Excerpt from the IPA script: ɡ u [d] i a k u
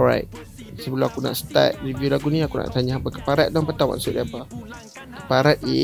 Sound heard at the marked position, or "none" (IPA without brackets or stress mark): n